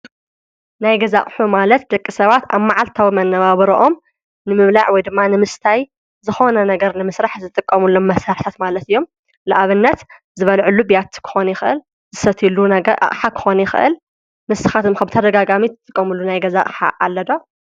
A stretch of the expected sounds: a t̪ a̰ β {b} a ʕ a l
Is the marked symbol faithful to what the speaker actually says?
no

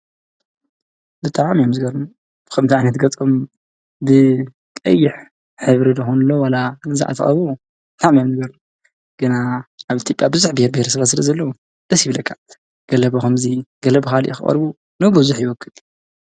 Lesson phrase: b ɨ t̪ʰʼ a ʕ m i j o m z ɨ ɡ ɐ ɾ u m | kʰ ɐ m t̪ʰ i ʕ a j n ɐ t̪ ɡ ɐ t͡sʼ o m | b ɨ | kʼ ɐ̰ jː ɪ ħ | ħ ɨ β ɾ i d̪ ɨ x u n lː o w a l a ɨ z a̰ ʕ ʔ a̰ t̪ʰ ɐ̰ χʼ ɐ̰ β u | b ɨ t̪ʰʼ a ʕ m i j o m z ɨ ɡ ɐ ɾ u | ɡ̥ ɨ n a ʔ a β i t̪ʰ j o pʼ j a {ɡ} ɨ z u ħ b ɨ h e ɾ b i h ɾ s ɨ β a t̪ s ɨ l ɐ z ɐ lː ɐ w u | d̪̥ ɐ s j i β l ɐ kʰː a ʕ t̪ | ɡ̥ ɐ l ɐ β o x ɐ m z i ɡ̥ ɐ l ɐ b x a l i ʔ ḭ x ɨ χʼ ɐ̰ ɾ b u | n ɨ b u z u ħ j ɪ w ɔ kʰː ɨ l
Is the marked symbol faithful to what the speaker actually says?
no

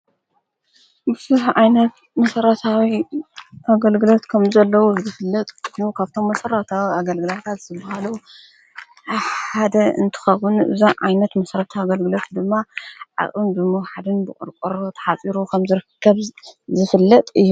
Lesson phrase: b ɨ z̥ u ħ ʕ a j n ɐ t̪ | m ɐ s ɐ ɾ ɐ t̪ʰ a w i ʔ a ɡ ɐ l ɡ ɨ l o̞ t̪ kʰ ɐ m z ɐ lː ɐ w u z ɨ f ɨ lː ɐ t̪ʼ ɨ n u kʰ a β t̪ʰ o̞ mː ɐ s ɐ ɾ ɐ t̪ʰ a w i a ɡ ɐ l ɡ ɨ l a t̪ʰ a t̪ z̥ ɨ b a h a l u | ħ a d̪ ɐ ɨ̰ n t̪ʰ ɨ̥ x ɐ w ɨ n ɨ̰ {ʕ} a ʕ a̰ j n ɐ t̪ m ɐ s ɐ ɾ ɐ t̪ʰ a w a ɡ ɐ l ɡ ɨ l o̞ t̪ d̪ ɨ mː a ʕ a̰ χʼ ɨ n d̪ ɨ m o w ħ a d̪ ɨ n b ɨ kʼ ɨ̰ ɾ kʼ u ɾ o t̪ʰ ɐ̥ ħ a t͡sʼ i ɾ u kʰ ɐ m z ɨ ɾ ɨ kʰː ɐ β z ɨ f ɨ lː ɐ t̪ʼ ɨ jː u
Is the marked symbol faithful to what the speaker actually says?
no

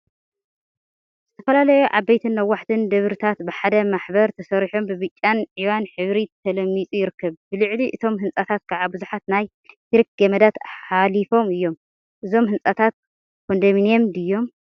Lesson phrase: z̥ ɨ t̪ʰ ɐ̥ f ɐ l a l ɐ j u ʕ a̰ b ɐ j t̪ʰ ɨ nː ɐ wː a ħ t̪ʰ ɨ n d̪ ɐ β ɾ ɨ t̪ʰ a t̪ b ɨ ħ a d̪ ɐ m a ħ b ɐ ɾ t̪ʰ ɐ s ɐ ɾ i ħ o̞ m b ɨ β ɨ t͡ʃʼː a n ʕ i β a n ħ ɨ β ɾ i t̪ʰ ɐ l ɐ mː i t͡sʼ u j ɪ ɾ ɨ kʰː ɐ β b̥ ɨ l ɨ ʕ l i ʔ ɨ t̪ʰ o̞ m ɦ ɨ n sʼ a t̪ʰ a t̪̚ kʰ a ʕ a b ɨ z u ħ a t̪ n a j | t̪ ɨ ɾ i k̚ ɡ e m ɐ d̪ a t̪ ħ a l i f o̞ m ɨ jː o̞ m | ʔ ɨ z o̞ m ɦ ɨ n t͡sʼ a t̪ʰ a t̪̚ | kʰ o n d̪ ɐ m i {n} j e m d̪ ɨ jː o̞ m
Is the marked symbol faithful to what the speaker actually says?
yes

